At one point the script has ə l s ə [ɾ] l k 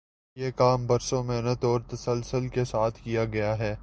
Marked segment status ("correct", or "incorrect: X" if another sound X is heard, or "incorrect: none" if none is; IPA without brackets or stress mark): incorrect: none